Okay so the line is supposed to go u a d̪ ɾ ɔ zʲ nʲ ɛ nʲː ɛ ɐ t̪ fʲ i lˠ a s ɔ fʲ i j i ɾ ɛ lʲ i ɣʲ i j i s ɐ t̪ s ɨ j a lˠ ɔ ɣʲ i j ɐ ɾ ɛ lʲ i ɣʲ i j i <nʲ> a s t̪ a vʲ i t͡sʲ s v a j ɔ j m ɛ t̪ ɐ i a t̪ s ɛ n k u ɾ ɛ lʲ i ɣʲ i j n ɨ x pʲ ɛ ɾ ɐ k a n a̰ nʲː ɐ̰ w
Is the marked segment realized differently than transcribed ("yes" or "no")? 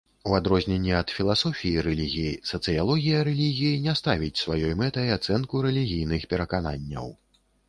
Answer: no